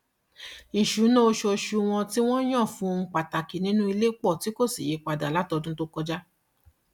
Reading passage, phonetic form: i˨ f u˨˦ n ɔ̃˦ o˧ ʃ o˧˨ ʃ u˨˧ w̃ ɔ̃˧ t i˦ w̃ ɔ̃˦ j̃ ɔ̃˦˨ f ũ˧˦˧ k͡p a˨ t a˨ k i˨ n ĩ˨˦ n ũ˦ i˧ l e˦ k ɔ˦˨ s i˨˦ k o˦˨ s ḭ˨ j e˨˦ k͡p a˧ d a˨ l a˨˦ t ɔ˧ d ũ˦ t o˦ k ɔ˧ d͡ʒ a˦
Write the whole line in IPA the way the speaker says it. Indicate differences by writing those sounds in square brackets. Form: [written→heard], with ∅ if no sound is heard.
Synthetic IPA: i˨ [f→ʃ] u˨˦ n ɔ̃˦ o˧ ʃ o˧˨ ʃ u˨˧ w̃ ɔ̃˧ t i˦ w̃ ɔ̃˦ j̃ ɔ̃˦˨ f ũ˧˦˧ k͡p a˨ t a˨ k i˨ n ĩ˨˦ n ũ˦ i˧ l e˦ [k→k͡p] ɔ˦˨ [s→t] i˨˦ k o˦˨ s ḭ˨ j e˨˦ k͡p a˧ d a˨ l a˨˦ t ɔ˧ d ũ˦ t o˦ k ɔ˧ d͡ʒ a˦